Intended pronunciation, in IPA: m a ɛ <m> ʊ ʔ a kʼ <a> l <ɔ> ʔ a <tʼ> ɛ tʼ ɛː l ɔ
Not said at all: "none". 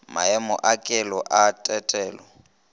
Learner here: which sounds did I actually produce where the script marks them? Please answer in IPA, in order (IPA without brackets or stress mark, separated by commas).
m, ɛ, ɔ, tʼ